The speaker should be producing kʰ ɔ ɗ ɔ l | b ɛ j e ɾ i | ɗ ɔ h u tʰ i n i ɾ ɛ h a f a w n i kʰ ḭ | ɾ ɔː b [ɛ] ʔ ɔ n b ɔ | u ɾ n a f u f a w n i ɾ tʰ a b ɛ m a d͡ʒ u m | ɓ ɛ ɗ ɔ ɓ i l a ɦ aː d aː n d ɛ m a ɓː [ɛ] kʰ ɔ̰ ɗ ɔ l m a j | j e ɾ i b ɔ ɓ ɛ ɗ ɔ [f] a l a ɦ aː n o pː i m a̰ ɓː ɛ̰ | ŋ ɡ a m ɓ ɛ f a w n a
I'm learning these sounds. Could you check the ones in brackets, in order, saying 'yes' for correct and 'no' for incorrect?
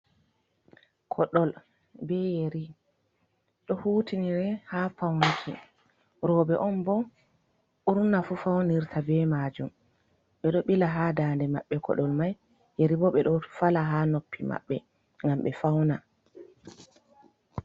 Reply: yes, yes, yes

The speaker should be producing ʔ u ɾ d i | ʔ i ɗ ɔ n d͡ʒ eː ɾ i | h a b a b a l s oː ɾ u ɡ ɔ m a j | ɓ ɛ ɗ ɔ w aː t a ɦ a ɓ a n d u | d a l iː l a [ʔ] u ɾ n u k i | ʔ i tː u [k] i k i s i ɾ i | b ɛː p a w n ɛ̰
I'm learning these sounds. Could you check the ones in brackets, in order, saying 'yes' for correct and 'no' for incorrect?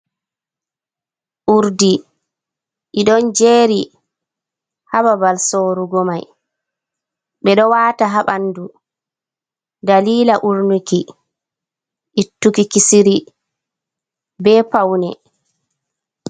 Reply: yes, yes

